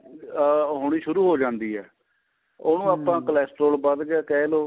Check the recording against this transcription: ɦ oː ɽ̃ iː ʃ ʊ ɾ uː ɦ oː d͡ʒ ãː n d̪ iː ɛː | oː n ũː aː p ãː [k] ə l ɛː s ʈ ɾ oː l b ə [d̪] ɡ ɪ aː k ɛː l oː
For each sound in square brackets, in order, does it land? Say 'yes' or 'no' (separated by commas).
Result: yes, yes